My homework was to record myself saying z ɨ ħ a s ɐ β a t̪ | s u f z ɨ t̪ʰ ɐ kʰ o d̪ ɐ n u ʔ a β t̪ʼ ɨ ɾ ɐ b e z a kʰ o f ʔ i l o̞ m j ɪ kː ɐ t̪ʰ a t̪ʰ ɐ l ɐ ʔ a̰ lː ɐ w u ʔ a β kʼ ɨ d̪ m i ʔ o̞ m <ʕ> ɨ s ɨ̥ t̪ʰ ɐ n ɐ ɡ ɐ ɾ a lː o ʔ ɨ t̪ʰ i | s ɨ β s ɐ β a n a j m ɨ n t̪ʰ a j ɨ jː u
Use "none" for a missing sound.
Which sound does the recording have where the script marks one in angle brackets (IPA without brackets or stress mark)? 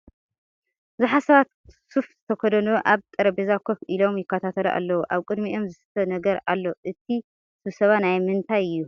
z